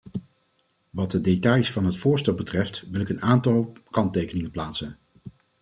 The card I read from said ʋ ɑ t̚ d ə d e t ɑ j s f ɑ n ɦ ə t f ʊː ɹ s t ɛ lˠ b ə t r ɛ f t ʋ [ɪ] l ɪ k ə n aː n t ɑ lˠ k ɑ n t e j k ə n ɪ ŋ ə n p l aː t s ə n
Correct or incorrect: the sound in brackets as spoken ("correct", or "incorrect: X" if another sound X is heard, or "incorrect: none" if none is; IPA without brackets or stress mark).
correct